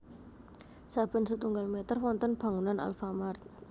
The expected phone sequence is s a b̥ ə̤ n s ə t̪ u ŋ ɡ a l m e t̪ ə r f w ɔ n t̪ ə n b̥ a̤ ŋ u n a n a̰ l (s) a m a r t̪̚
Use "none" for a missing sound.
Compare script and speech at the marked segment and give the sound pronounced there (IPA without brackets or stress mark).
f